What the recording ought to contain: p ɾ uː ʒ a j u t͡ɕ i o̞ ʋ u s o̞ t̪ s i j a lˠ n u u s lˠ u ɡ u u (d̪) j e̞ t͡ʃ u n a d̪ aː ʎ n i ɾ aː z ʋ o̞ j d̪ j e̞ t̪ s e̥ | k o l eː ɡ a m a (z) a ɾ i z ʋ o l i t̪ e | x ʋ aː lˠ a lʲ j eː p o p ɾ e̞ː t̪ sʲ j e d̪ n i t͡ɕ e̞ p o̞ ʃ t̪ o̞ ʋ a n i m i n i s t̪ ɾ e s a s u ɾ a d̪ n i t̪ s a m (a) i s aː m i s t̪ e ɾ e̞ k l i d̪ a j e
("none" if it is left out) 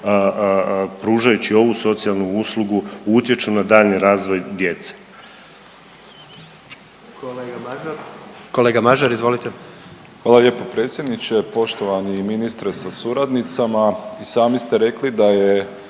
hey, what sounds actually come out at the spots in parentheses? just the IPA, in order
t̪, ʒ, a

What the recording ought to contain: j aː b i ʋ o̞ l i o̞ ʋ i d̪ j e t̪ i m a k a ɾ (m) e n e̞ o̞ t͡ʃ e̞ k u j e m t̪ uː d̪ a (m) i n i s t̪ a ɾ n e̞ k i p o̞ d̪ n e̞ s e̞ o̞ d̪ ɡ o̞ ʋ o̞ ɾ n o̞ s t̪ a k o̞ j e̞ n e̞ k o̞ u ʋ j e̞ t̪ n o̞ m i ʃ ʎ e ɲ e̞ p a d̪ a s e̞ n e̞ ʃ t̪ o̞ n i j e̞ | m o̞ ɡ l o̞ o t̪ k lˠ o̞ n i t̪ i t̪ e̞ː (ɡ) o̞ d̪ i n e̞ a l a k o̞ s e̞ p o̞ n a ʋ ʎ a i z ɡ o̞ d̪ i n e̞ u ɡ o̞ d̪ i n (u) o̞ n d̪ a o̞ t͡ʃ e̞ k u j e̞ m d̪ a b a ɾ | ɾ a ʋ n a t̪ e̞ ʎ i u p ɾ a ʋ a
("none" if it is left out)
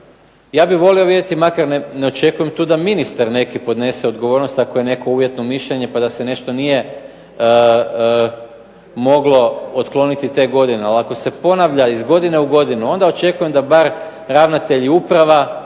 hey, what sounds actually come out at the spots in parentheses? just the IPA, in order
n, m, ɡ, u

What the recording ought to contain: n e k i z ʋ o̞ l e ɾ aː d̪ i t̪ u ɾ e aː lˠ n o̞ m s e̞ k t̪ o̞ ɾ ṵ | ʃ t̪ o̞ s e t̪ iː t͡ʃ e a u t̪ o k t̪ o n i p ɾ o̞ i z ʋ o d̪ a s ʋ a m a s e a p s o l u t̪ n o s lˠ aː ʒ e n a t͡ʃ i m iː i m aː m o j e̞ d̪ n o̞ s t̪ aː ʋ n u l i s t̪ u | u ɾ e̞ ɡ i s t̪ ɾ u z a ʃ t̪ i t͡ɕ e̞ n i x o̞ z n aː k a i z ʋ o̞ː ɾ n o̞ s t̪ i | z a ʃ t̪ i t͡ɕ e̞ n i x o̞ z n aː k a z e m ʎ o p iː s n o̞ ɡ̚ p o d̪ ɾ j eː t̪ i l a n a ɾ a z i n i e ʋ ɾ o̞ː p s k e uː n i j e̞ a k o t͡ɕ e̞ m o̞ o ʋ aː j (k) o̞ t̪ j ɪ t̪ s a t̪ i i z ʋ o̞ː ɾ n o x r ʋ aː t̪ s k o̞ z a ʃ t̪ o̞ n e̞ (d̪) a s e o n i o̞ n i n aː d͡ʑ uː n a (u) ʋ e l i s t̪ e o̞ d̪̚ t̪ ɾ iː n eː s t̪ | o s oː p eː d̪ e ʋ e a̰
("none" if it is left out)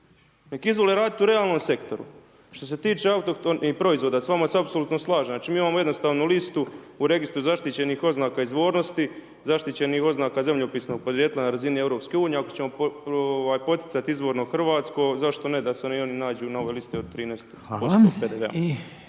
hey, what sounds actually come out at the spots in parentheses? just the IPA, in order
p, d̪, o

